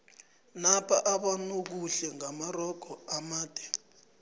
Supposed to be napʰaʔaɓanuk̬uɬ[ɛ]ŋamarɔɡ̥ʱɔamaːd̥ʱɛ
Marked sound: correct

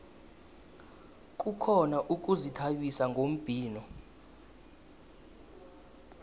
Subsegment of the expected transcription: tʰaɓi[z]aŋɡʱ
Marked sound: incorrect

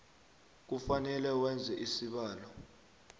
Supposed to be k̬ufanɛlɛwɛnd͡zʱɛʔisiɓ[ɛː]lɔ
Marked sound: incorrect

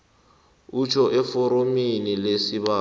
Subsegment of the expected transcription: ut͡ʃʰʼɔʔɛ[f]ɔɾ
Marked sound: correct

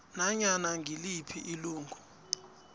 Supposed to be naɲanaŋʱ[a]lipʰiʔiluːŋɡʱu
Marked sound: incorrect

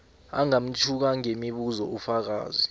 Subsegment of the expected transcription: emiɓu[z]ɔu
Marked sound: correct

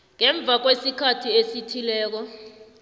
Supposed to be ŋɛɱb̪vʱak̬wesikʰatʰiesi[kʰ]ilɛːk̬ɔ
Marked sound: incorrect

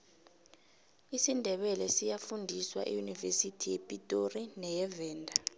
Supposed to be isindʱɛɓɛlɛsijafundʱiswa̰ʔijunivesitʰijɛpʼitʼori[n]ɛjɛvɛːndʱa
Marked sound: correct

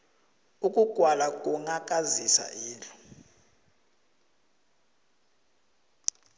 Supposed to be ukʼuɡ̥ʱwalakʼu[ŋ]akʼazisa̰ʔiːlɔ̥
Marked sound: correct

